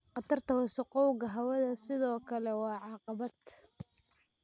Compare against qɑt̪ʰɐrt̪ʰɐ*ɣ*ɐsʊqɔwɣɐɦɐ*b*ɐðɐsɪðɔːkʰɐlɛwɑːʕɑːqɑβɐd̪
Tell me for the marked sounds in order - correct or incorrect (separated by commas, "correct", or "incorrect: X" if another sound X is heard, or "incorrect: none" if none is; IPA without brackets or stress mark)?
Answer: incorrect: w, incorrect: w